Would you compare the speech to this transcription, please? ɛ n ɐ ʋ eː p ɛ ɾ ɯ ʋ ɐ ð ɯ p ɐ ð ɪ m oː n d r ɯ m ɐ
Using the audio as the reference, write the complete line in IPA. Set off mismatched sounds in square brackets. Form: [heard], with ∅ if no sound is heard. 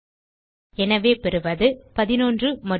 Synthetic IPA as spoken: ɛ n ɐ ʋ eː p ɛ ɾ ɯ ʋ ɐ ð ɯ p ɐ ð ɪ [n] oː n d r ɯ m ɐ